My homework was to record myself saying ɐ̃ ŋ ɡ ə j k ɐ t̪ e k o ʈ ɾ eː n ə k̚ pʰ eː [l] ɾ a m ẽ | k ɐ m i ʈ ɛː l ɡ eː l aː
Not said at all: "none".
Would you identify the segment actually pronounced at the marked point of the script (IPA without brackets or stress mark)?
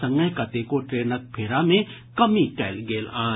none